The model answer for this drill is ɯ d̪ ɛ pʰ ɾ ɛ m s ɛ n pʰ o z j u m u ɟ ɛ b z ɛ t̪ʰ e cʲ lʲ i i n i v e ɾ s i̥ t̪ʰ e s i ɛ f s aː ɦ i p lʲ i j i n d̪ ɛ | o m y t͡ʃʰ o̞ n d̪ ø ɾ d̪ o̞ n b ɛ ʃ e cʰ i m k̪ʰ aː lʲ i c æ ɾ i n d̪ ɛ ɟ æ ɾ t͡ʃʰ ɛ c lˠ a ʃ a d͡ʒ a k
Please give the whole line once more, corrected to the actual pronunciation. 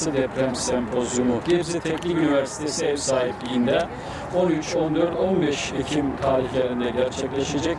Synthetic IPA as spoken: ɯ d̪ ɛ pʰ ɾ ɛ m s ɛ m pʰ o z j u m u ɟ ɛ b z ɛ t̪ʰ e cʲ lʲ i y n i v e ɾ s i̥ t̪ʰ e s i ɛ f s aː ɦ i p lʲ i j i n d̪ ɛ | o n y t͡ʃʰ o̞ n d̪ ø ɾ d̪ o̞ n b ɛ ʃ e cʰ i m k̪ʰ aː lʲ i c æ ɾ i n d̪ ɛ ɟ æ ɾ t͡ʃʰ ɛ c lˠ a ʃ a d͡ʒ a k